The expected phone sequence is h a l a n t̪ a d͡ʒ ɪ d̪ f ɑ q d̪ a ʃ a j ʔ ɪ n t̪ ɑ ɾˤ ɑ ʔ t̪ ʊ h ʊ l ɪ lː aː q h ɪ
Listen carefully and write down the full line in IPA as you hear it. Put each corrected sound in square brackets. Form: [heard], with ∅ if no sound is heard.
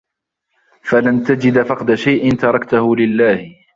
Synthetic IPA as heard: [f] a l a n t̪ a d͡ʒ ɪ d̪ f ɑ q d̪ a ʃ a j ʔ ɪ n t̪ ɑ ɾˤ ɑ [k] t̪ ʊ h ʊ l ɪ lː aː [∅] h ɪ

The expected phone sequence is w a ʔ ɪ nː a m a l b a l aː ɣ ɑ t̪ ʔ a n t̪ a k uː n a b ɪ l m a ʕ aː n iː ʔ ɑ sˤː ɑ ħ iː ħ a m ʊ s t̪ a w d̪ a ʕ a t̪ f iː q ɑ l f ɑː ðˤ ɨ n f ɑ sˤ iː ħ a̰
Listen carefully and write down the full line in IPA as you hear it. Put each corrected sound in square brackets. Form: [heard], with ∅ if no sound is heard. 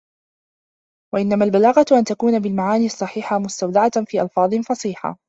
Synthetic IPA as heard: w a ʔ ɪ nː a m a l b a l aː ɣ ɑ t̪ ʔ a n t̪ a k uː n a b ɪ l m a ʕ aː n iː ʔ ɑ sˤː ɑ ħ iː ħ a m ʊ s t̪ a w d̪ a ʕ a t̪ f iː [ʔ] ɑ l f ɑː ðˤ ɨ n f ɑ sˤ iː ħ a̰

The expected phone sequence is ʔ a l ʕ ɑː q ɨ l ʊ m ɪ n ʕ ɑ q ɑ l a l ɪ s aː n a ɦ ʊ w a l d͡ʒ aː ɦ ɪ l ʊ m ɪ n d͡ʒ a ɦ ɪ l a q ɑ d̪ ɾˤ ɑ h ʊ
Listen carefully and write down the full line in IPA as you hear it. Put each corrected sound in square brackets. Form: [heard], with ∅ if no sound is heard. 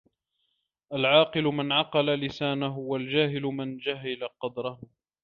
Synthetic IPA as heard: ʔ a l ʕ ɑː q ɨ l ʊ m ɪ n ʕ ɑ q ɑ l a l ɪ s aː n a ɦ ʊ w a l d͡ʒ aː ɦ ɪ l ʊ m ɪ n d͡ʒ a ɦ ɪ l a q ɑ d̪ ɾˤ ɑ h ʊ

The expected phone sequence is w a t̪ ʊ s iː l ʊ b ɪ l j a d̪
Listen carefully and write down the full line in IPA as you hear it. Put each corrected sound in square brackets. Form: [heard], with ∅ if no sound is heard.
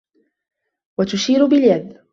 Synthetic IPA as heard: w a t̪ ʊ [ʃ] iː [ɾ] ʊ b ɪ l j a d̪

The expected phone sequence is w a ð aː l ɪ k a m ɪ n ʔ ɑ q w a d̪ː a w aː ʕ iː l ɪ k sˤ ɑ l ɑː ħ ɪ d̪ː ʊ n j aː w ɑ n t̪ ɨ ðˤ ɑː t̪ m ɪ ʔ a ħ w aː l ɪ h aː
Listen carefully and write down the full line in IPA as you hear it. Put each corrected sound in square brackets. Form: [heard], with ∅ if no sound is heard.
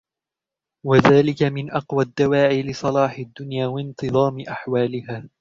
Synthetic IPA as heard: w a ð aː l ɪ k a m ɪ n ʔ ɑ q w a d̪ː a w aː ʕ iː l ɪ [∅] sˤ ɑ l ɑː ħ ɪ d̪ː ʊ n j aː w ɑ n t̪ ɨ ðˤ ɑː [∅] m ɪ ʔ a ħ w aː l ɪ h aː

